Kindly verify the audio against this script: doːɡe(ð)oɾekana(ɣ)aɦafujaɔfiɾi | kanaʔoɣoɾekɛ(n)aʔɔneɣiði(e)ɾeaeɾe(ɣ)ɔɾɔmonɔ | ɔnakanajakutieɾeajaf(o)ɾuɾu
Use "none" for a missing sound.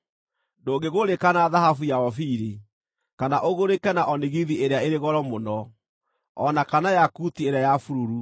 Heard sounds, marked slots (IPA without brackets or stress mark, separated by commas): ɣ, ð, n, e, ɣ, u